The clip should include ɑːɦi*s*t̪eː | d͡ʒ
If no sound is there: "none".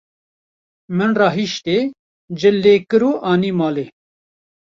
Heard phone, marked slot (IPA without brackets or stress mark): ʃ